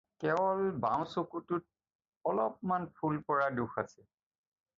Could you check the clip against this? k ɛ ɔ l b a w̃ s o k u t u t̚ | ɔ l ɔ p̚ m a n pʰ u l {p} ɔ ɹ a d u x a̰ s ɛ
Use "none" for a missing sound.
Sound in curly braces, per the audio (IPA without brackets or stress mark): p